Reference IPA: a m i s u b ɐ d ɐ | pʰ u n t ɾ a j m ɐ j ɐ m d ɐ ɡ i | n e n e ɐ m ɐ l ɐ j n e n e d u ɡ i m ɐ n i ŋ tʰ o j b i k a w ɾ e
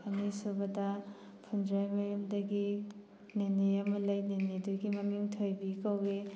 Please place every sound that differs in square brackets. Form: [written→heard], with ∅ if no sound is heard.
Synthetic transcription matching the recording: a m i s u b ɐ d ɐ | pʰ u n [t→d] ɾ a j m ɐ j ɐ m d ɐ ɡ i | n e n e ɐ m ɐ l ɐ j n e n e d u ɡ i m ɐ [n→m] i ŋ tʰ o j b i k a w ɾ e